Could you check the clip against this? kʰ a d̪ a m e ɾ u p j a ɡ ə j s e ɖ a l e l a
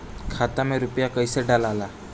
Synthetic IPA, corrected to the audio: kʰ a t̪ a m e ɾ u p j a k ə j s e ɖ a l a l a